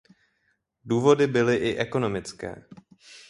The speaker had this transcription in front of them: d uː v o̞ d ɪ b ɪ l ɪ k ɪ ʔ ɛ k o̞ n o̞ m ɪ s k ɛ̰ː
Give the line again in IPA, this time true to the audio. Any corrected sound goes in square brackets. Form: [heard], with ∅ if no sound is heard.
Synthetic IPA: d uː v o̞ d ɪ b ɪ l ɪ [ʔ] ɪ ʔ ɛ k o̞ n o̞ m ɪ [t͡s] k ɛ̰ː